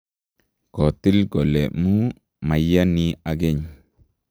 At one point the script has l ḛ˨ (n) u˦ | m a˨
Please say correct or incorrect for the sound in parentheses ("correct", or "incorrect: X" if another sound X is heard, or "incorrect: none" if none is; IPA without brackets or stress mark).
incorrect: m